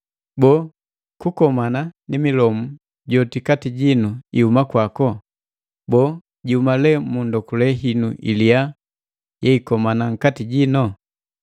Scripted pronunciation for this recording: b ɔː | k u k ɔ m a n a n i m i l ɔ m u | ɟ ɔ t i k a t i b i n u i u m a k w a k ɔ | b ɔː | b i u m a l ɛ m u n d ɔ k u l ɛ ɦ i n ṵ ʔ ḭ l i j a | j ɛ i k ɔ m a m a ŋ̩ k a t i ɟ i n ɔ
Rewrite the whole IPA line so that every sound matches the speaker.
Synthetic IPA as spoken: b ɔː | k u k ɔ m a n a n i m i l ɔ m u | ɟ ɔ t i k a t i ɟ i n u i u m a k w a k ɔ | b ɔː | ɟ i u m a l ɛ m u n d ɔ k u l ɛ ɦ i n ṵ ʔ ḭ l i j a | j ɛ i k ɔ m a n a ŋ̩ k a t i ɟ i n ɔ

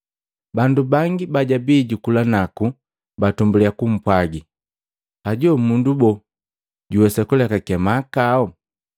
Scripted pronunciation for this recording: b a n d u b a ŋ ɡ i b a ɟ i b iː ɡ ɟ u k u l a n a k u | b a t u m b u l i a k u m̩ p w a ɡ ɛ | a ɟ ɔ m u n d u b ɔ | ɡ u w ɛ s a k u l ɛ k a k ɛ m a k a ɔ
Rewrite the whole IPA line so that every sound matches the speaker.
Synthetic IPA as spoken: b a n d u b a ŋ ɡ i b a ɟ a b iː ɟ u k u l a n a k u | b a t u m b u l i a k u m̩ p w a ɡ i | a ɟ ɔ m u n d u b ɔ | ɟ u w ɛ s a k u l ɛ k a k ɛ m a k a ɔ

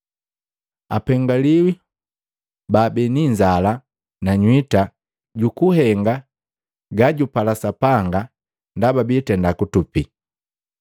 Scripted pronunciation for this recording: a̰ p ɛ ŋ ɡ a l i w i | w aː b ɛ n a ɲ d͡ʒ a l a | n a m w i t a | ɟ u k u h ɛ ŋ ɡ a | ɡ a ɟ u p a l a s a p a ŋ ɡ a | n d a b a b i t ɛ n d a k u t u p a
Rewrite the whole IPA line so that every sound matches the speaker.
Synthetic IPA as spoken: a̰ p ɛ ŋ ɡ a l i w i | b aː b ɛ n i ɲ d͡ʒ a l a | n a ɲ w i t a | ɟ u k u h ɛ ŋ ɡ a | ɡ a ɟ u p a l a s a p a ŋ ɡ a | n d a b a b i t ɛ n d a k u t u p i

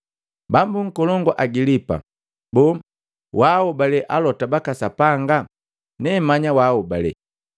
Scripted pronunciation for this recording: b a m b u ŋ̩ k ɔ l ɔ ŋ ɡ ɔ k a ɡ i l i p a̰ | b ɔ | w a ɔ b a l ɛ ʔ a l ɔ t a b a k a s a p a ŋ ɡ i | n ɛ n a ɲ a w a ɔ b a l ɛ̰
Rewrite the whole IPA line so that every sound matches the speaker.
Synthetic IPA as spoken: b a m b u ŋ̩ k ɔ l ɔ ŋ ɡ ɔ ʔ a ɡ i l i p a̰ | b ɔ | w a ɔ b a l ɛ ʔ a l ɔ t a b a k a s a p a ŋ ɡ a | n ɛ m a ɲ a w a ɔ b a l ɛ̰

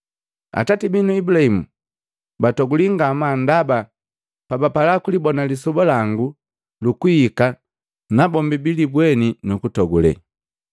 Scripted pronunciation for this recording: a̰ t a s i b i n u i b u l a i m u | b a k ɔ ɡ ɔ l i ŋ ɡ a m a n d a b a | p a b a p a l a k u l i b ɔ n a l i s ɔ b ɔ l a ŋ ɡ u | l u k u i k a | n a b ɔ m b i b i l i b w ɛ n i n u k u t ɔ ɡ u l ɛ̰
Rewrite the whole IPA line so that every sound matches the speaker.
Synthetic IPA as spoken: a̰ t a t i b i n u i b u l a i m u | b a t ɔ ɡ u l i ŋ ɡ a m a n d a b a | p a b a p a l a k u l i b ɔ n a l i s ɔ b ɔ l a ŋ ɡ u | l u k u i k a | n a b ɔ m b i b i l i b w ɛ n i n u k u t ɔ ɡ u l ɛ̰

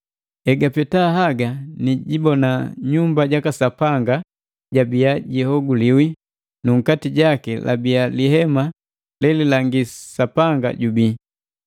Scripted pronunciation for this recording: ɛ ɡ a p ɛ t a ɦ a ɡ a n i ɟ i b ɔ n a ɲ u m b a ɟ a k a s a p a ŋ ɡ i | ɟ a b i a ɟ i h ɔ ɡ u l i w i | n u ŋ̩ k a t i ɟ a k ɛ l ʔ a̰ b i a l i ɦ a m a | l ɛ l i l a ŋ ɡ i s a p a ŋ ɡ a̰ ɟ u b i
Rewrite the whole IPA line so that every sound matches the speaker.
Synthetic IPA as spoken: ɛ ɡ a p ɛ t a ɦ a ɡ a n i ɟ i b ɔ n a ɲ u m b a ɟ a k a s a p a ŋ ɡ a | ɟ a b i a ɟ i h ɔ ɡ u l i w i | n u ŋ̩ k a t i ɟ a k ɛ l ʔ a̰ b i a l i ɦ ɛ m a | l ɛ l i l a ŋ ɡ i s a p a ŋ ɡ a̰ ɟ u b i

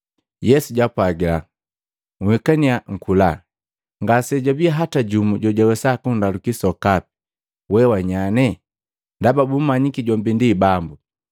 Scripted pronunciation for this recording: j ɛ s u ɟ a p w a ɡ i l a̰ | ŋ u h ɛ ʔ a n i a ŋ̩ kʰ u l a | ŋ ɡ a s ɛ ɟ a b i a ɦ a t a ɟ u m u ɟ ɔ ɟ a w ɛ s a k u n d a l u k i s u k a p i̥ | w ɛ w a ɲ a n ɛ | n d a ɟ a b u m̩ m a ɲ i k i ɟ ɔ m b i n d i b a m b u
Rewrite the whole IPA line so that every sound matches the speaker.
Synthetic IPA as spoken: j ɛ s u ɟ a p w a ɡ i l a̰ | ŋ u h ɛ k a n i a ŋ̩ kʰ u l a | ŋ ɡ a s ɛ ɟ a b i a ɦ a t a ɟ u m u ɟ ɔ ɟ a w ɛ s a k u n d a l u k i s ɔ k a p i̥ | w ɛ w a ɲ a n ɛ | n d a b a b u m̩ m a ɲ i k i ɟ ɔ m b i n d i b a m b u

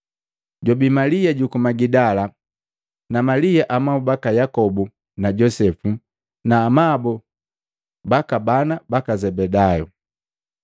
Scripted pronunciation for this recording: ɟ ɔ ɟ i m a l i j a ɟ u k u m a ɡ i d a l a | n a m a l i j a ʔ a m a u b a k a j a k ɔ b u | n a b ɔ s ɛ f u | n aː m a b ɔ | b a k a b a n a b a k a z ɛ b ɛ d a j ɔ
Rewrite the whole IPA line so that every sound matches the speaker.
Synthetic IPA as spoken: ɟ ɔ b i m a l i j a ɟ u k u m a ɡ i d a l a | n a m a l i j a ʔ a m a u b a k a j a k ɔ b u | n a ɟ ɔ s ɛ f u | n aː m a b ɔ | b a k a b a n a b a k a z ɛ b ɛ d a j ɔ

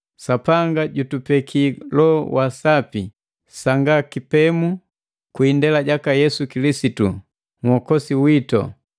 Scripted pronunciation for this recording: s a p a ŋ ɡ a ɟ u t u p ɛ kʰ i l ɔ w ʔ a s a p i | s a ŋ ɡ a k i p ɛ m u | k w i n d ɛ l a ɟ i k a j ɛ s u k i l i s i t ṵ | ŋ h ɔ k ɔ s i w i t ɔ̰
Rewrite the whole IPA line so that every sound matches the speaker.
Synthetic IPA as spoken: s a p a ŋ ɡ a ɟ u t u p ɛ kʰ i l ɔ w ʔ a s a p i | s a ŋ ɡ a k i p ɛ m u | k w i n d ɛ l a ɟ a k a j ɛ s u k i l i s i t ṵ | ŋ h ɔ k ɔ s i w i t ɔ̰

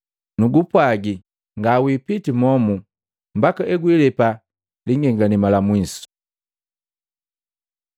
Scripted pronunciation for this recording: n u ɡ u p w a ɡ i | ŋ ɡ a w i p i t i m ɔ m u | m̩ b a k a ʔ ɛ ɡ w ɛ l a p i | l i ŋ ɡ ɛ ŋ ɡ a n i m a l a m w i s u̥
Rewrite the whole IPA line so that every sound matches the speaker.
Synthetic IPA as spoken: n u ɡ u p w a ɡ i | ŋ ɡ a w i p i t i m ɔ m u | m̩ b a k a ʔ ɛ ɡ w i l ɛ p a | l i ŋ ɡ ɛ ŋ ɡ a n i m a l a m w i s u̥

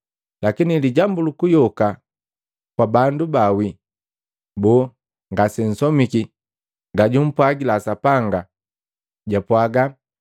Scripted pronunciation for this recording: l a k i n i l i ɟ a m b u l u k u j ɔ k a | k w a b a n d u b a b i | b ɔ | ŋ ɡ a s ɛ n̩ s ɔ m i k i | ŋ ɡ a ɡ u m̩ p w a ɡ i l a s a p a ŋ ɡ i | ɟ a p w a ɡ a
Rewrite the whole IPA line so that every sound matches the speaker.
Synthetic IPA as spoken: l a k i n i l i ɟ a m b u l u k u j ɔ k a | k w a b a n d u b a w i | b ɔ | ŋ ɡ a s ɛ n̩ s ɔ m i k i | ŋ ɡ a ɟ u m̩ p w a ɡ i l a s a p a ŋ ɡ a | ɟ a p w a ɡ a

